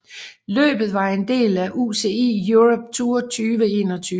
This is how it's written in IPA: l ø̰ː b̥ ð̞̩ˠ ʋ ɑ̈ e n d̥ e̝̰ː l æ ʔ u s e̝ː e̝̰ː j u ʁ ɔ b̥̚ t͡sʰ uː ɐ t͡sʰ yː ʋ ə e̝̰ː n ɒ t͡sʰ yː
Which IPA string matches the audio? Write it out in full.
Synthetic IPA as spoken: l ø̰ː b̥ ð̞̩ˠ ʋ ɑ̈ e n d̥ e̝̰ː l æ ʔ u s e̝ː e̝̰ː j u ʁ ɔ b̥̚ t͡sʰ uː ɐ t͡sʰ yː ʋ ə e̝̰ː n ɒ t͡sʰ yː